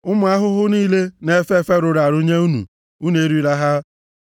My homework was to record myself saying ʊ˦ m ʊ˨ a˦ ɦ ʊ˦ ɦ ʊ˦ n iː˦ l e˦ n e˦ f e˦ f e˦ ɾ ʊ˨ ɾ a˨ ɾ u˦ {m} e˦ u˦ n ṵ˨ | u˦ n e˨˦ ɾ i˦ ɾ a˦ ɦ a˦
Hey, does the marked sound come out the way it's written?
no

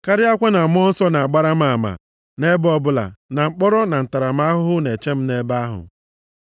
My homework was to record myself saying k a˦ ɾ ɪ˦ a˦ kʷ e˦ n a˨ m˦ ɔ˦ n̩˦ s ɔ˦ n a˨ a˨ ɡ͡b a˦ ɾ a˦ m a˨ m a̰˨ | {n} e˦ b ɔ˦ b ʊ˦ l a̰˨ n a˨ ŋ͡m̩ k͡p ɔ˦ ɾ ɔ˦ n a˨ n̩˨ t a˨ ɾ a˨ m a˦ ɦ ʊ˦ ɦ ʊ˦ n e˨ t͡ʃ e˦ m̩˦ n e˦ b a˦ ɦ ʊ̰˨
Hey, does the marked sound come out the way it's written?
yes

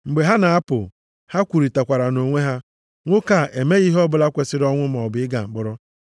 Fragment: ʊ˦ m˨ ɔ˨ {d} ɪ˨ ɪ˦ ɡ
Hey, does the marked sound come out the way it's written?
no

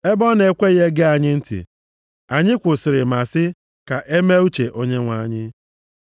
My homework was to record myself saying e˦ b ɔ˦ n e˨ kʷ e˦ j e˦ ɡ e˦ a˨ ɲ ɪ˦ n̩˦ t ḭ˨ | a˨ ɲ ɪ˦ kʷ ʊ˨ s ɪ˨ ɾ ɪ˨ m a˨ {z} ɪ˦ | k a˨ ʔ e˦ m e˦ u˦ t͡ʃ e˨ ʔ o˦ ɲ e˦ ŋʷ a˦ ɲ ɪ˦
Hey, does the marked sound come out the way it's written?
no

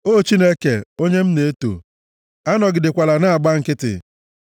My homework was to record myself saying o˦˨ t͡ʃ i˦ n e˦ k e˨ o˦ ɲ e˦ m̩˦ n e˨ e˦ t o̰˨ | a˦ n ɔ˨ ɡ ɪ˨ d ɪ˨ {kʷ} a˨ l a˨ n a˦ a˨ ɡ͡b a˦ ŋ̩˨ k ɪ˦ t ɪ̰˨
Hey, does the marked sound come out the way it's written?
yes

